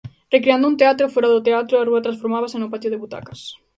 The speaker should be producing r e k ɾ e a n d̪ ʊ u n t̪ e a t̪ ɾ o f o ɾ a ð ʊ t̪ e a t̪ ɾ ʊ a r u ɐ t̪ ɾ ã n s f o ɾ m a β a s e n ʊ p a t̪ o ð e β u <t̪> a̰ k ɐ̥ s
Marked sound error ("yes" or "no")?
no